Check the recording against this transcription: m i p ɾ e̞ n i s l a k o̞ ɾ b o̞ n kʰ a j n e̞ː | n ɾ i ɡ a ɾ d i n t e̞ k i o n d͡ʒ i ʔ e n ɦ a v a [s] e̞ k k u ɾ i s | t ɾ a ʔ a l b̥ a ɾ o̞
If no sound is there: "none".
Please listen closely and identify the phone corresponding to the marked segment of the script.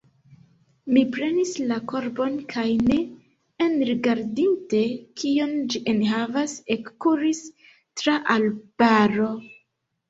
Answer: s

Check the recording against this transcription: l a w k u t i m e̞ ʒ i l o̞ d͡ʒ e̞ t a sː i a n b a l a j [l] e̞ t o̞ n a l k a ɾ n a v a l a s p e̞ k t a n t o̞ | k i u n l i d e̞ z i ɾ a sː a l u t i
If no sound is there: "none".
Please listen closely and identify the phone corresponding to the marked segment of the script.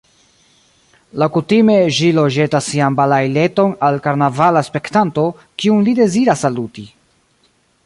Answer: l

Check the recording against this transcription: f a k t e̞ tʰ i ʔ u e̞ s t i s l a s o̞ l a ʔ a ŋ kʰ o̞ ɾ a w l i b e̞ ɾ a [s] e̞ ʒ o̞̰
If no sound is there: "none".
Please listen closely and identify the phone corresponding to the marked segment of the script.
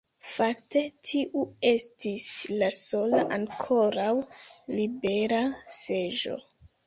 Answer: s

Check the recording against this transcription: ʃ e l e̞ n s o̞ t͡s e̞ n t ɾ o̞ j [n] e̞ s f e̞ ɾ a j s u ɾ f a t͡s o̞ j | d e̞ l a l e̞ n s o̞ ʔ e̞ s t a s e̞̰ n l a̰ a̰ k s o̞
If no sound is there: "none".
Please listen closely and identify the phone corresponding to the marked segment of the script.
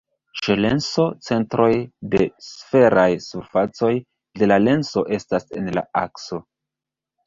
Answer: d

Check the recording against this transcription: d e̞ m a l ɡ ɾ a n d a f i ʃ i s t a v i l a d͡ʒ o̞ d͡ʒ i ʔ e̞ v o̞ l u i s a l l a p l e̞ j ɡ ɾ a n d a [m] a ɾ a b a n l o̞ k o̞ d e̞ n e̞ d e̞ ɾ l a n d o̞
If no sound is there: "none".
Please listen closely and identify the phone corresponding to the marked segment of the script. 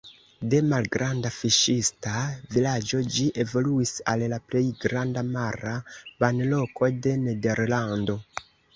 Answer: m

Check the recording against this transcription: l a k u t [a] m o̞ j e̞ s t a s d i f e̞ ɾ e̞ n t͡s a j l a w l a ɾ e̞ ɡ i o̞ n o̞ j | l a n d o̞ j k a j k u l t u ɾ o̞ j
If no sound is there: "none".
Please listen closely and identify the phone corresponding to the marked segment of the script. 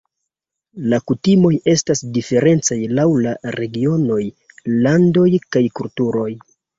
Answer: i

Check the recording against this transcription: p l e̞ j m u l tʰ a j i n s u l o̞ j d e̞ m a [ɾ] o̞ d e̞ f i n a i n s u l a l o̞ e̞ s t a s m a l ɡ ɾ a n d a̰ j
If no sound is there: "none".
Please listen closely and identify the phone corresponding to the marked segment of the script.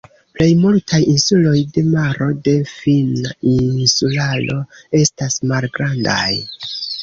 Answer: ɾ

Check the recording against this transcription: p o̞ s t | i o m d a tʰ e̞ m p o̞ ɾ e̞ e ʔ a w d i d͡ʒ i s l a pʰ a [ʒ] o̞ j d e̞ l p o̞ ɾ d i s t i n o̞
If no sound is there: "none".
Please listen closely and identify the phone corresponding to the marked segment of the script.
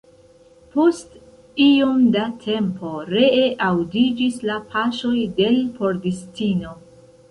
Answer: ʃ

